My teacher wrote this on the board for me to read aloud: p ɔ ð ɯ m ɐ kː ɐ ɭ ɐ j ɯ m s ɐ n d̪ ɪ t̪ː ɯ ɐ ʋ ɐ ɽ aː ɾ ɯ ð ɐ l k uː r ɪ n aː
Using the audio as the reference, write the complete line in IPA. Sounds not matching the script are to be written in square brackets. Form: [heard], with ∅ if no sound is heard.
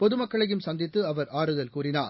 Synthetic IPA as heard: p ɔ ð ɯ m ɐ kː ɐ ɭ ɐ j ɯ m s ɐ n d̪ ɪ t̪ː ɯ ɐ ʋ ɐ [ɾ] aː ɾ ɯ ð ɐ l k uː r ɪ n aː

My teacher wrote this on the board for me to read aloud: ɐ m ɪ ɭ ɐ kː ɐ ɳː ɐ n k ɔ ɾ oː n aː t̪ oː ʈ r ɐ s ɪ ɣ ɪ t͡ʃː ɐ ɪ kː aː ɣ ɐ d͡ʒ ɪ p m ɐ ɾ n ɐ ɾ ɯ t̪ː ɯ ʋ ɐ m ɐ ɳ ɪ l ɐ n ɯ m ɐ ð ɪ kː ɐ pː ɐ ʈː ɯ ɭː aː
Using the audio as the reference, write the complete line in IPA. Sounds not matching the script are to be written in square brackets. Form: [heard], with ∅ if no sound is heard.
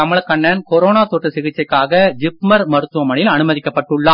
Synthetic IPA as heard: ɐ m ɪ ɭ ɐ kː ɐ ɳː ɐ n k ɔ ɾ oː n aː t̪ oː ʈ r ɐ s ɪ ɣ ɪ t͡ʃː ɐ ɪ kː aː ɣ ɐ d͡ʒ ɪ p m ɐ ɾ [m] ɐ ɾ ɯ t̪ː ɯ ʋ ɐ m ɐ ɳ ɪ l ɐ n ɯ m ɐ ð ɪ kː ɐ pː ɐ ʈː ɯ ɭː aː

